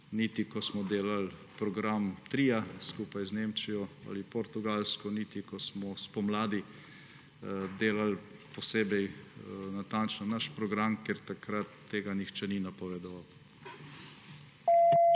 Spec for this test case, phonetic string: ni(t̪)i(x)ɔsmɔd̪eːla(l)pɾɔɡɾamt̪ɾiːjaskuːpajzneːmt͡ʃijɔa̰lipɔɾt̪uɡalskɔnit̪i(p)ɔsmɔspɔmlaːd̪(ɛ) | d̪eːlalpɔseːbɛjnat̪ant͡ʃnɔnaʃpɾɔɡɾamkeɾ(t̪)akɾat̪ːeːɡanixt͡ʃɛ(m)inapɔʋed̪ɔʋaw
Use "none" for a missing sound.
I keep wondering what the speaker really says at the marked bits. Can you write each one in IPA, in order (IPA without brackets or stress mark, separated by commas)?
t̪, k, l, k, i, t̪, n